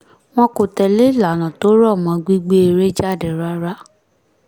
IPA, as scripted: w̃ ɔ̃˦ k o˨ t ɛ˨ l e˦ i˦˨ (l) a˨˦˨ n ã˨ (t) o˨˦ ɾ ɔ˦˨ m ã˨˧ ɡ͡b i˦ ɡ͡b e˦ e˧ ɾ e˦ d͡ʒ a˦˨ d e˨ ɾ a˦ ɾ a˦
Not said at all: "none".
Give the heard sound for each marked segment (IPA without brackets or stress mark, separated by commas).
l, t